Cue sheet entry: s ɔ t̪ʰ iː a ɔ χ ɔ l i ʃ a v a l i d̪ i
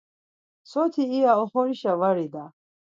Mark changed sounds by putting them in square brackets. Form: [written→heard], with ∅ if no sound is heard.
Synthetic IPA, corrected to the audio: s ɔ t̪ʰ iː a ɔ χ ɔ [l→ɾ] i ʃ a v a [l→ɾ] i d̪ [i→a]